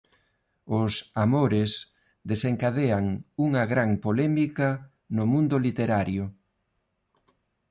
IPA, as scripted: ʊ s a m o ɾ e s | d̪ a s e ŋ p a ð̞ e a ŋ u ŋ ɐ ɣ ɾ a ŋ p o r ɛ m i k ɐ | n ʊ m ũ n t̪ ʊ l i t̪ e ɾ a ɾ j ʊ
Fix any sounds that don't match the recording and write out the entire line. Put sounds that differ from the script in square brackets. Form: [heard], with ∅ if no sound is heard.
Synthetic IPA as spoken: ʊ s a m o ɾ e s | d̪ [e] s e ŋ [k] a ð̞ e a ŋ u ŋ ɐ ɣ ɾ a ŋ p o [l] ɛ m i k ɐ | n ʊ m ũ n [d̪] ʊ l i t̪ e ɾ a ɾ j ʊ